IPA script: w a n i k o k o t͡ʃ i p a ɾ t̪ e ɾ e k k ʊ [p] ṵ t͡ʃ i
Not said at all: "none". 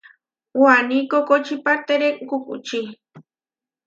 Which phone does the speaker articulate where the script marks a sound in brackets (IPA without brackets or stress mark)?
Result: k